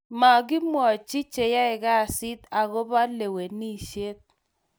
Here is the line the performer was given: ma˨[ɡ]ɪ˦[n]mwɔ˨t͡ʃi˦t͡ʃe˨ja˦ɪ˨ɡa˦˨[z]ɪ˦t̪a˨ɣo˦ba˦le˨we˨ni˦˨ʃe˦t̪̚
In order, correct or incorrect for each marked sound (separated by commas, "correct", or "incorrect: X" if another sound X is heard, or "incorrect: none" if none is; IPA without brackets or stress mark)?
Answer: correct, incorrect: none, incorrect: s